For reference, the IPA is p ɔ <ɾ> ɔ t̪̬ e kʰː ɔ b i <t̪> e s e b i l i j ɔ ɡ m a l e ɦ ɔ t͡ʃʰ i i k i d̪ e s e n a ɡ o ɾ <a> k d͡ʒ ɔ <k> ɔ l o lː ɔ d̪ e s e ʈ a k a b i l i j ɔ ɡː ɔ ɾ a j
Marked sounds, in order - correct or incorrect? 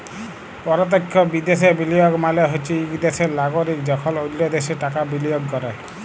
correct, incorrect, incorrect, incorrect

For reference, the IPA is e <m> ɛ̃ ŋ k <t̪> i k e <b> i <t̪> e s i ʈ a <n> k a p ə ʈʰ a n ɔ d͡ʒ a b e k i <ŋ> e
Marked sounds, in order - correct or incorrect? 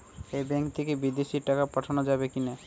incorrect, correct, correct, incorrect, incorrect, incorrect

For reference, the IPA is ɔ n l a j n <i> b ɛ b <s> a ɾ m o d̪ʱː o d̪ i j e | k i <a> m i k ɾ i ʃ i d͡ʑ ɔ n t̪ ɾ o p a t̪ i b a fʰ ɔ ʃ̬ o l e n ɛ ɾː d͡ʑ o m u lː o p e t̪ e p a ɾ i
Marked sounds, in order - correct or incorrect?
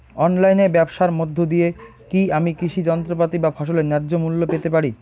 incorrect, incorrect, correct

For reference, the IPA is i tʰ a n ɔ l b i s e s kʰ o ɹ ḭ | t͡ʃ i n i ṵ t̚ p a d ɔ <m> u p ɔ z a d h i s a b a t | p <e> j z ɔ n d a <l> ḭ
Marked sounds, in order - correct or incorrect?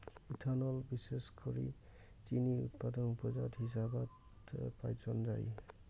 incorrect, incorrect, incorrect

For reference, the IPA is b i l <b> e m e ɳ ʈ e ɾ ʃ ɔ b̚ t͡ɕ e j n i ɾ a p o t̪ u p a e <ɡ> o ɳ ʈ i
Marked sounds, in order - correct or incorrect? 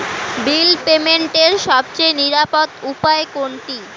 incorrect, incorrect

